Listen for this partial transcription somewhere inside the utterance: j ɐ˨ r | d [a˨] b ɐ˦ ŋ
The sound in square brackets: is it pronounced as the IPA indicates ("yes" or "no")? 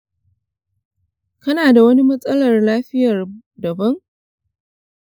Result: no